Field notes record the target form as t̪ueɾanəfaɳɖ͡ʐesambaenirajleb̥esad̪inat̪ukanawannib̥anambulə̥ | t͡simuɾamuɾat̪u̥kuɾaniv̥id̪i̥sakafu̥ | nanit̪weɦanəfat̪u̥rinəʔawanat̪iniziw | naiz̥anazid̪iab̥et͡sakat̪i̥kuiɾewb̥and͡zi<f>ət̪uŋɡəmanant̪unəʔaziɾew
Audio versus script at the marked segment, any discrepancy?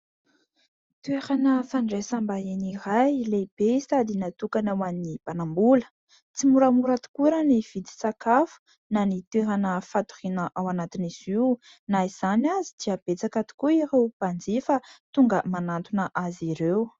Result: no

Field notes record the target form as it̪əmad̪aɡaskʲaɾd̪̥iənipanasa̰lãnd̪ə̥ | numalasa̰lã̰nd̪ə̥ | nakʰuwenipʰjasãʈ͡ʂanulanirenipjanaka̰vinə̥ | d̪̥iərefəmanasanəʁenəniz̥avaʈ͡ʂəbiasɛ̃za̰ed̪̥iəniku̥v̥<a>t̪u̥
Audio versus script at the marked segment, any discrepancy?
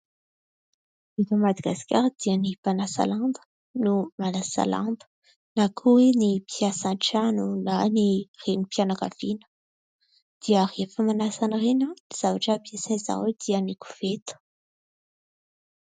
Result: yes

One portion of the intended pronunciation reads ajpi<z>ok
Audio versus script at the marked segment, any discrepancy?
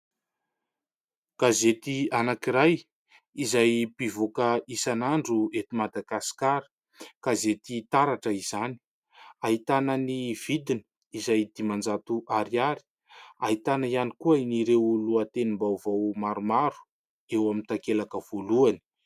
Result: yes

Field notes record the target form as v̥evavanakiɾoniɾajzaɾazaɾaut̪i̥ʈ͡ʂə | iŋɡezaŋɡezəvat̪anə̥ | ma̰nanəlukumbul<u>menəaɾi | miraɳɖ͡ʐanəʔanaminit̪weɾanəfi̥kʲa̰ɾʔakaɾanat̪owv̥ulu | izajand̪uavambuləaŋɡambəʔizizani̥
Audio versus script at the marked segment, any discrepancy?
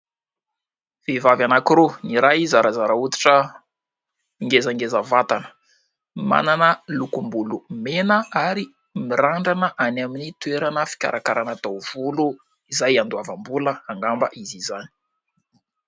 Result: no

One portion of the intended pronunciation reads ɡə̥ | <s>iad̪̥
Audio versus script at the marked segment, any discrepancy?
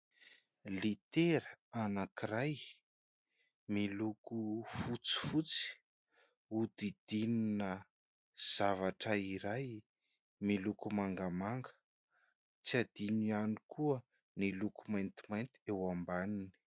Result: yes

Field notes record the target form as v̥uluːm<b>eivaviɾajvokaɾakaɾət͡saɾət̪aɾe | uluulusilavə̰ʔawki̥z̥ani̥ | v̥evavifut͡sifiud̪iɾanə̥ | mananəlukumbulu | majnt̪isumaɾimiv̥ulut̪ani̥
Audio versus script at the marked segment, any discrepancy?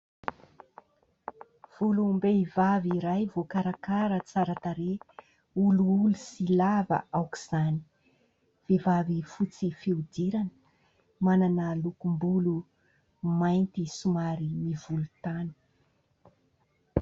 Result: no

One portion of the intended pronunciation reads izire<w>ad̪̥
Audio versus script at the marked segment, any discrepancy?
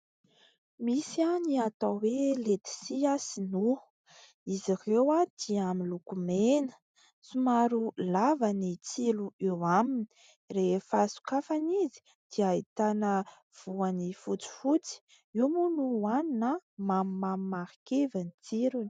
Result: no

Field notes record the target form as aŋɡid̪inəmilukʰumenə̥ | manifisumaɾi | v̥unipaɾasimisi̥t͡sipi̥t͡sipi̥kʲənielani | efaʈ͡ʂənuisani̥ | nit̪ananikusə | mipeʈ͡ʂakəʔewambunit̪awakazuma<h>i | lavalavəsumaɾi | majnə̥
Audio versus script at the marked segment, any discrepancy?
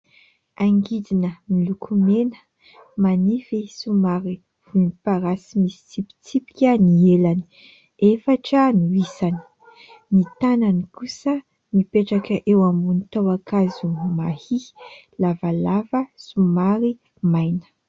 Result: no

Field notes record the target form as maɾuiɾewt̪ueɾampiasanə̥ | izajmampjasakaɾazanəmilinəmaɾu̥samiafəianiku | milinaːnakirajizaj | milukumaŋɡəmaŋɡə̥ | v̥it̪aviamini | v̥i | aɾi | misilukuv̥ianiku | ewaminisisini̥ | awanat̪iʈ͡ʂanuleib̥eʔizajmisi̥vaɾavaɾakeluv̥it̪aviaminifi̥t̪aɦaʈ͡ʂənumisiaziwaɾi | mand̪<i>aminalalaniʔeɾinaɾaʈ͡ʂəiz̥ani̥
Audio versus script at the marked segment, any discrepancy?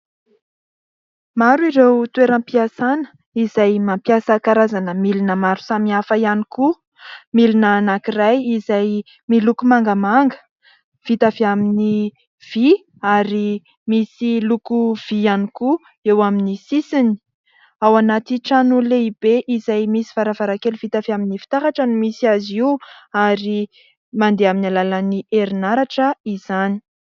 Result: yes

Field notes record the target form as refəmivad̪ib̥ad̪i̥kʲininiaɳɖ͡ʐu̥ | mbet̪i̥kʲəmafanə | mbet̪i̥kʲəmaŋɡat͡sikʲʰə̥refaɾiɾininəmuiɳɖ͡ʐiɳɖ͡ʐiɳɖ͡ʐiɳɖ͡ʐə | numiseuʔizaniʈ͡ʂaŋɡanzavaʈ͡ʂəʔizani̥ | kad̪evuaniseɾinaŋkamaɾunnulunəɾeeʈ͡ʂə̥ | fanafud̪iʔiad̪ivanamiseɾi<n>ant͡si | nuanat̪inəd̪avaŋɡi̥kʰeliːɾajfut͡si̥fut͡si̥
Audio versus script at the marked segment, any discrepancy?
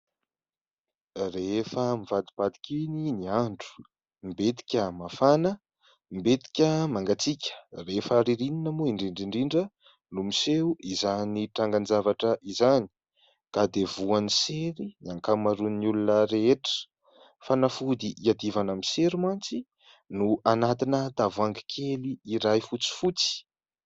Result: yes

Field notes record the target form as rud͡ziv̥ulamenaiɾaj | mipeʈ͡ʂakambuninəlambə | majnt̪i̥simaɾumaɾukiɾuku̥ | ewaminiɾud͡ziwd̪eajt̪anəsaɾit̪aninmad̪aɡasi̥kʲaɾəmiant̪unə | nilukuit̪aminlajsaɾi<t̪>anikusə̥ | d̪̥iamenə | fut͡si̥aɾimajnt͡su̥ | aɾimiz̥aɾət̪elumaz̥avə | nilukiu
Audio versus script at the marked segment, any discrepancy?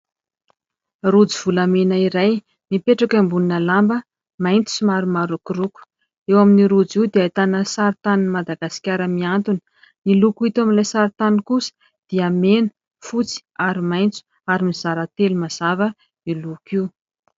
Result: no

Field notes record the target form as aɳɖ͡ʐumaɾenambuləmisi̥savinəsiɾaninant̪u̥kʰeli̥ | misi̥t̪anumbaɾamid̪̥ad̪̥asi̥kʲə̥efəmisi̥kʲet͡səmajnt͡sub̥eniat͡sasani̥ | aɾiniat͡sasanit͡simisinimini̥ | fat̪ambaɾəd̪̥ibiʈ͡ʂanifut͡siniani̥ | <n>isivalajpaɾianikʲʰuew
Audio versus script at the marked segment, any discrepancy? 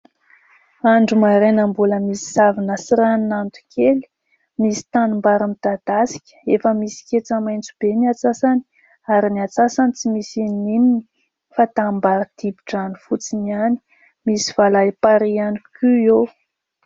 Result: yes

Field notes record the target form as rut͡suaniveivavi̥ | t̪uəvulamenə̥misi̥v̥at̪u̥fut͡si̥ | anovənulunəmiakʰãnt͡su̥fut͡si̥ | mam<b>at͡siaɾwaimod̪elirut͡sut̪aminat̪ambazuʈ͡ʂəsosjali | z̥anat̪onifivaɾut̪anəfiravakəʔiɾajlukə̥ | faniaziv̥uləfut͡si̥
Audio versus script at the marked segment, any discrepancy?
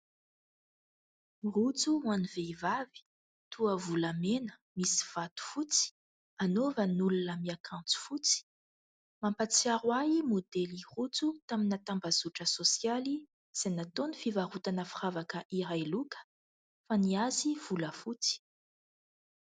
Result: yes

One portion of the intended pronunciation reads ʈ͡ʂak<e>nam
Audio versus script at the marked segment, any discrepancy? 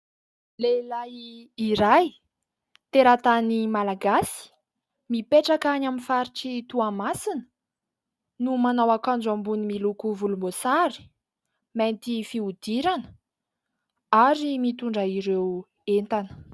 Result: yes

